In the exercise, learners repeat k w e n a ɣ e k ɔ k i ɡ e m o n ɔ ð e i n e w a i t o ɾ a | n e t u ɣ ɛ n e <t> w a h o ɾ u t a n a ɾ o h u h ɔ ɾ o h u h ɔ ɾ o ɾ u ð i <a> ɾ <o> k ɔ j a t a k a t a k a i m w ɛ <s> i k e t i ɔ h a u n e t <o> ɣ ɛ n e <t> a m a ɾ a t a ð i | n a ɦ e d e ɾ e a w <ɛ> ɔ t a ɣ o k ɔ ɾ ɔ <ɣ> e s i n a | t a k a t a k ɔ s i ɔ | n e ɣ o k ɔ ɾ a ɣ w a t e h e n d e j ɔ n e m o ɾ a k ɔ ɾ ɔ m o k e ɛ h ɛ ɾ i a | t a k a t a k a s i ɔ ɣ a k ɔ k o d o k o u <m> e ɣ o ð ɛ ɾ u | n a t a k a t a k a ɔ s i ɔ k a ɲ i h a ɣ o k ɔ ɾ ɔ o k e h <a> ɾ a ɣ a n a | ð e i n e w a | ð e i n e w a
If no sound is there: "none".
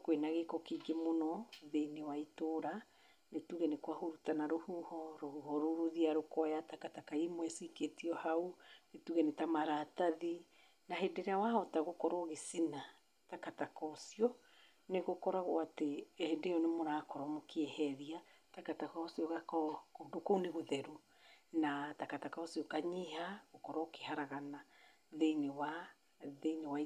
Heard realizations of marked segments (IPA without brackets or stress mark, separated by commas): k, a, o, s, u, t, a, ɣ, n, a